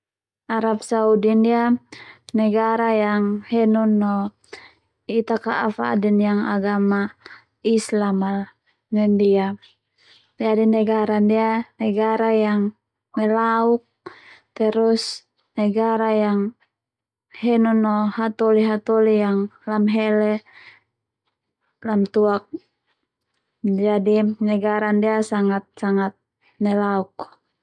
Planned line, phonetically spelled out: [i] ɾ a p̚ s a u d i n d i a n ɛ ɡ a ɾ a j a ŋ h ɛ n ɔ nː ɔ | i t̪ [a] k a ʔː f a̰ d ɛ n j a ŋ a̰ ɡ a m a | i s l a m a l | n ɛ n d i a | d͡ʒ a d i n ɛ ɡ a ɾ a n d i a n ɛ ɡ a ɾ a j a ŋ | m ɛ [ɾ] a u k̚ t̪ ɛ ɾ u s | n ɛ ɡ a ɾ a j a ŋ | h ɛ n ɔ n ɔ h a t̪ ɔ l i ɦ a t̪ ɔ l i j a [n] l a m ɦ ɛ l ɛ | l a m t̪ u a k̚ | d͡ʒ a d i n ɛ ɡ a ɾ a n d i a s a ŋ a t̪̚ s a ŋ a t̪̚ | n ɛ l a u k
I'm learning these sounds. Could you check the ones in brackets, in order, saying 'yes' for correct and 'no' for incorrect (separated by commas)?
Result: no, yes, no, no